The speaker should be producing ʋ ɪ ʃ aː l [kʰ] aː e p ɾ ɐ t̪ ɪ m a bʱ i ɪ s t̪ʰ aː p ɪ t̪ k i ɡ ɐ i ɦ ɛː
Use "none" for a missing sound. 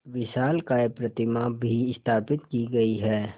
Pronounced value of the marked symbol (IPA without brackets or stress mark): k